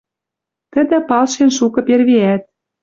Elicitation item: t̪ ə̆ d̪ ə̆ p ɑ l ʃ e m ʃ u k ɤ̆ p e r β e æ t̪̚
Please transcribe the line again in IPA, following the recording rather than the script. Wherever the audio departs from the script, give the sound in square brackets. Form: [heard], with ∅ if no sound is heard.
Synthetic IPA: t̪ ə̆ d̪ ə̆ p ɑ l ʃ e [n] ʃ u k ɤ̆ p e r β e æ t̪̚